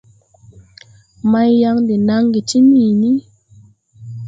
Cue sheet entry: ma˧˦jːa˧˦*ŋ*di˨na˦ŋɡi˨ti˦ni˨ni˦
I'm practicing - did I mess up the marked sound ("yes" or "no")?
no